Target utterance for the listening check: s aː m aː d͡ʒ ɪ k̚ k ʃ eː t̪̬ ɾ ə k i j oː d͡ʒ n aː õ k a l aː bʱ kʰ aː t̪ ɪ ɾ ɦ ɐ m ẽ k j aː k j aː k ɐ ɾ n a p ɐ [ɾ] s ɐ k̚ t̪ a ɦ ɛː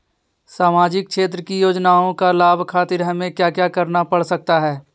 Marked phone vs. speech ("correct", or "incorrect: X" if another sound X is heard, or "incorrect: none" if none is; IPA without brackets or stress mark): incorrect: ɽ